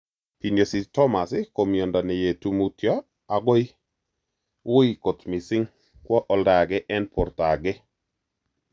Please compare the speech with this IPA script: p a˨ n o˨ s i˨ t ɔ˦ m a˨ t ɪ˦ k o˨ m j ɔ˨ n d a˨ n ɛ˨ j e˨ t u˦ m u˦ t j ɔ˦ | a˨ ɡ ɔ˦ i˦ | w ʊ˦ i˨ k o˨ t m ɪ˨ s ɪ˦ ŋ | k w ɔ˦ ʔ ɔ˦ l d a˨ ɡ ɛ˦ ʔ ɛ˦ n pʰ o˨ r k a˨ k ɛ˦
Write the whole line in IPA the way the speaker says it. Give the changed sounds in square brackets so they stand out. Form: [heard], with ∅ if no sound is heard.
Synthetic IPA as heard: p [i˨] n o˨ s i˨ t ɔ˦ m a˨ [s] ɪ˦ k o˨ m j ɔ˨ n d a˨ n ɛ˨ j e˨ t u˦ m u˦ t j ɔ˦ | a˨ ɡ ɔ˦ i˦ | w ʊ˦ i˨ k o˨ t m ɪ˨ s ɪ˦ ŋ | k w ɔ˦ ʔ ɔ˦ l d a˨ ɡ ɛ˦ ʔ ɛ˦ n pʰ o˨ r [t] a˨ [ɡ] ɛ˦

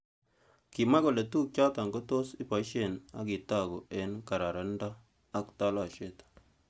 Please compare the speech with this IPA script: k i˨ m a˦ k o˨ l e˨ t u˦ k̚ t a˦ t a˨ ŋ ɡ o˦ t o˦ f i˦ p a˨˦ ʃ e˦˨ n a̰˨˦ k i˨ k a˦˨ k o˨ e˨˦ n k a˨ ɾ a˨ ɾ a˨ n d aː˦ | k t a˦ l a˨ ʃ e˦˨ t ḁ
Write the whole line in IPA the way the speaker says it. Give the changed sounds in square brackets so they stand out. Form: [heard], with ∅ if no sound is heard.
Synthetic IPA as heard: k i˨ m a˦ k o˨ l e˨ t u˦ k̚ [t͡ʃ] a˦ t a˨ ŋ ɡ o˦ t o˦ [s] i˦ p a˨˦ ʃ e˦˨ n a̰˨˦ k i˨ [t] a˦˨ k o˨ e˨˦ n k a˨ ɾ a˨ ɾ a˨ n d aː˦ | k t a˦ l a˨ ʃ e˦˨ t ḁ

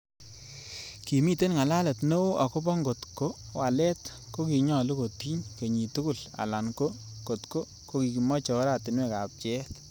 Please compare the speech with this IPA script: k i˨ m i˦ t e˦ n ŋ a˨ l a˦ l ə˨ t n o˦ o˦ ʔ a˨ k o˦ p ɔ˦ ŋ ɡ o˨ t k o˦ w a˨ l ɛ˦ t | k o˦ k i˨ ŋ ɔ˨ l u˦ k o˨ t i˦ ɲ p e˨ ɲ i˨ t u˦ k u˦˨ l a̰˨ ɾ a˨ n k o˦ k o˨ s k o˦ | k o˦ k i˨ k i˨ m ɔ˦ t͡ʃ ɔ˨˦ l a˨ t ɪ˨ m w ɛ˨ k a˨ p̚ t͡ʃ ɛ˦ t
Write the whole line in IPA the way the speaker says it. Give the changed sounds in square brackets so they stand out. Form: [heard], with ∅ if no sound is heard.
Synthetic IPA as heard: k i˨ m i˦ t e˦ n ŋ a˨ l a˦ l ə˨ t n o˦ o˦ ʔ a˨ k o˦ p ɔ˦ ŋ ɡ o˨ t k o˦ w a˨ l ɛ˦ t | k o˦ k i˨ [ɲ] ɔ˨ l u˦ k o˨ t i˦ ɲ [k] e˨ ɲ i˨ t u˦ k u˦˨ l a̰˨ [l] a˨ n k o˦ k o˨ [t] k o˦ | k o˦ k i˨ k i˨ m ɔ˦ t͡ʃ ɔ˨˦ [ɾ] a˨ t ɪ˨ [n] w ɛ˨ k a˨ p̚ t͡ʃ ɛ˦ t

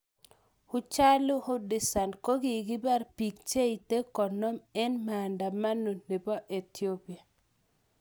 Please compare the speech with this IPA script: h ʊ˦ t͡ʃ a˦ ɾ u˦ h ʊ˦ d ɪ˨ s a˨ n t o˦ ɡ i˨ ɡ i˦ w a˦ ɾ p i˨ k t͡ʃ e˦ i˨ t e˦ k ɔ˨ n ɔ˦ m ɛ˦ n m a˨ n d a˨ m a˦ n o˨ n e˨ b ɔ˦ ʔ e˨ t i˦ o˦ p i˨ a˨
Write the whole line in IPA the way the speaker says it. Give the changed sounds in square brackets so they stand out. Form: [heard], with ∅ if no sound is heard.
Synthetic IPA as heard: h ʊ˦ t͡ʃ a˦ [l] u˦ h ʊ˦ d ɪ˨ s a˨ n [k] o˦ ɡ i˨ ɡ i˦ [b] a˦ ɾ p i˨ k t͡ʃ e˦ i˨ t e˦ k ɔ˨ n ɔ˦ m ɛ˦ n m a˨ n d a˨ m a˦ n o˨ n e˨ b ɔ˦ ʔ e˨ t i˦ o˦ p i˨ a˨

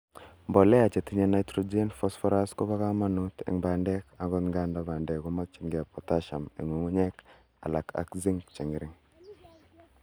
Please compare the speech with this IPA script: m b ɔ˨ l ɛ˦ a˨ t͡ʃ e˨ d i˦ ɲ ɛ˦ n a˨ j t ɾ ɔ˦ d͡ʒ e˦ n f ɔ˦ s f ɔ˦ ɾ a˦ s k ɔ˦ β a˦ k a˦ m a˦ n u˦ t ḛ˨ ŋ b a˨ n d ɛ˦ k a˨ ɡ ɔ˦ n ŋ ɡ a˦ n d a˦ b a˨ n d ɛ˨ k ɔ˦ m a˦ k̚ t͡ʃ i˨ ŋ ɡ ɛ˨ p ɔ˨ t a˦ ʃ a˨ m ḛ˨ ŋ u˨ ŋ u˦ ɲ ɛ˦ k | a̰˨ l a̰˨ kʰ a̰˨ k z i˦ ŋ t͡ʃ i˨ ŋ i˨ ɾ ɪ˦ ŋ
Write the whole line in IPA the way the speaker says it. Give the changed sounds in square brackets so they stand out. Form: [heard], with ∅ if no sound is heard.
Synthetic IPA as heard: m b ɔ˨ l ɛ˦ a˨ t͡ʃ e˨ [t] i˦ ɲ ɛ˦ n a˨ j t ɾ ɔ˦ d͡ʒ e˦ n f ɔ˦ s f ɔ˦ ɾ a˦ s k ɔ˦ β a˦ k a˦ m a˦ n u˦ t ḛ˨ ŋ b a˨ n d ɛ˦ k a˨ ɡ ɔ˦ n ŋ ɡ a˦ n d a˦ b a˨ n d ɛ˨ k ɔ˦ m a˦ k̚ t͡ʃ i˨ ŋ ɡ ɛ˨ p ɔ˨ t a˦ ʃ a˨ m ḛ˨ ŋ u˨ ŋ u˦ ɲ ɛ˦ k | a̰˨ l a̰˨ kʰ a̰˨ k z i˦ ŋ t͡ʃ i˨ ŋ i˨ ɾ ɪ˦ ŋ

